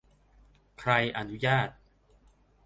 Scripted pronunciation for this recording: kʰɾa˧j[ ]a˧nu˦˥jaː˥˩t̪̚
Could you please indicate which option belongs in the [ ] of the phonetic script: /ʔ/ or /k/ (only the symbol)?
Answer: ʔ